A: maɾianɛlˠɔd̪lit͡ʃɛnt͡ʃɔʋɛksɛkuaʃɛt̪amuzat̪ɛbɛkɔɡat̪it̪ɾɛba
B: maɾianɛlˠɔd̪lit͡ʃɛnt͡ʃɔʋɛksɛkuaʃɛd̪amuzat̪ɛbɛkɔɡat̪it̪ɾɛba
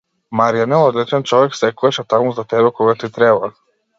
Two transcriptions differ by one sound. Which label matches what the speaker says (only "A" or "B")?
A